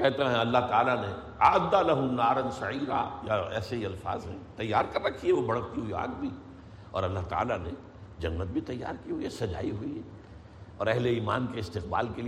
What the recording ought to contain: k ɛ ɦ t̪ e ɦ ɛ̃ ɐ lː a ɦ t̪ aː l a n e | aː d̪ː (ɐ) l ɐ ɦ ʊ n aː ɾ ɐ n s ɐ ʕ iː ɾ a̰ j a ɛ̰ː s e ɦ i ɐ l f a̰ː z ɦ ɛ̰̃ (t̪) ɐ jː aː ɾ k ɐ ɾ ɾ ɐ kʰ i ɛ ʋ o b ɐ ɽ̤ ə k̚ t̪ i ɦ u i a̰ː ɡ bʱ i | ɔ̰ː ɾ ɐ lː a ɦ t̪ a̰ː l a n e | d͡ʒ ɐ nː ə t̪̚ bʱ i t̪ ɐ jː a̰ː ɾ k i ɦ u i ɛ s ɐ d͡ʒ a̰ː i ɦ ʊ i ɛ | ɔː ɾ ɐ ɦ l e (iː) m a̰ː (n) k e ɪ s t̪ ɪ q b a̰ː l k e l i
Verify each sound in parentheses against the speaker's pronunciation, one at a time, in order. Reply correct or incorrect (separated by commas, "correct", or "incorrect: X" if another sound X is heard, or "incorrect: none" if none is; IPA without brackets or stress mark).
incorrect: a, correct, correct, correct